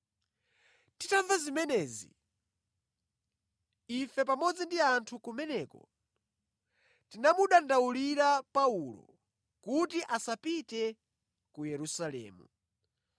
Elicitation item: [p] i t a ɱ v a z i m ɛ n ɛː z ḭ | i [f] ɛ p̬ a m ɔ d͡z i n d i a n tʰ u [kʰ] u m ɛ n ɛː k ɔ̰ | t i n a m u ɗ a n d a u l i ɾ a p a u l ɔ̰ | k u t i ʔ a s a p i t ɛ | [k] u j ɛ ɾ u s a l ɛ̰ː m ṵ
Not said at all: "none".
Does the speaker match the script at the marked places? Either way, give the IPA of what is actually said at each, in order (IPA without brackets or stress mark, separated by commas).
t, f, k, k